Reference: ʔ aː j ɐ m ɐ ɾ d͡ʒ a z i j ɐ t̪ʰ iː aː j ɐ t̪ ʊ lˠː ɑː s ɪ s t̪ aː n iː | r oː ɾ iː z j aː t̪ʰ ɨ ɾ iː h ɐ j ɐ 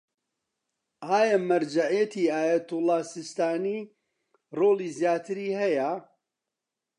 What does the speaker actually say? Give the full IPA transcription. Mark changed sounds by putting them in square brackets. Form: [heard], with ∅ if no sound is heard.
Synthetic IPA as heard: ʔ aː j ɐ m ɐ ɾ d͡ʒ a [ʕ] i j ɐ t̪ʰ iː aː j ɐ t̪ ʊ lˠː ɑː s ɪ s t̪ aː n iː | r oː [l] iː z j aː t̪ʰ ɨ ɾ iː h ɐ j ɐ